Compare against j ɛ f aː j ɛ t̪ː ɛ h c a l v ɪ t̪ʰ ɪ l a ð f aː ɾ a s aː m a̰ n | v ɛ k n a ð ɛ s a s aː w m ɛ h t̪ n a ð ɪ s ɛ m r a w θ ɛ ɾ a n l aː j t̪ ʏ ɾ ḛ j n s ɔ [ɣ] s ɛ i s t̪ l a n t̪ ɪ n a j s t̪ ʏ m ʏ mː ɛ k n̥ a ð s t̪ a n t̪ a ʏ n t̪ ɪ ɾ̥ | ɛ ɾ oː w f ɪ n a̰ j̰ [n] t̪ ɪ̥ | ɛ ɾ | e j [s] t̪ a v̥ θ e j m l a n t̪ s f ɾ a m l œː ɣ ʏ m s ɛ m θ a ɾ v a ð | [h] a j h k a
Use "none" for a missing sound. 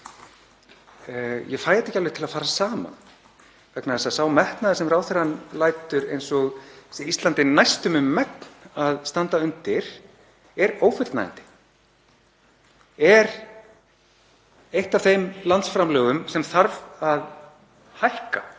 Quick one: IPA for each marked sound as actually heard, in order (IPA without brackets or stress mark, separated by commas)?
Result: ɣ, n, h, h